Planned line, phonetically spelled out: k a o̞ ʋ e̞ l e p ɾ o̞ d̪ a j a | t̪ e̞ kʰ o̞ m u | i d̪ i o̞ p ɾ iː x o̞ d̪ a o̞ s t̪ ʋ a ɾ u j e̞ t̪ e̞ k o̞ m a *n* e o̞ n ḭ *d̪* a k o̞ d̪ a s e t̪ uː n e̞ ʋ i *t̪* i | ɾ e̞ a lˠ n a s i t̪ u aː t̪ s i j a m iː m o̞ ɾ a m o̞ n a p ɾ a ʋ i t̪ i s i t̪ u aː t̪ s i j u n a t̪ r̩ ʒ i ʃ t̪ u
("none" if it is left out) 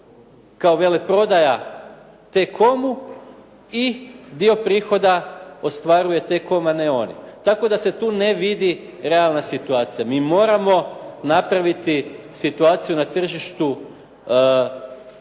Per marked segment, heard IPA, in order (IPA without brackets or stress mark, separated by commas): n, t̪, d̪